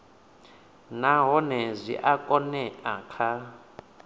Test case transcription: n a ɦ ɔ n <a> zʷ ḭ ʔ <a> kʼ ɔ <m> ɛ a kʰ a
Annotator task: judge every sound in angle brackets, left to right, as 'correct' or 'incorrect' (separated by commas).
incorrect, correct, incorrect